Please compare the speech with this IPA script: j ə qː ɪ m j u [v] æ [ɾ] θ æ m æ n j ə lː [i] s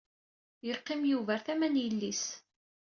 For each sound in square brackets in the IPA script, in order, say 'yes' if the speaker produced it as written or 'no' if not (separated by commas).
yes, yes, yes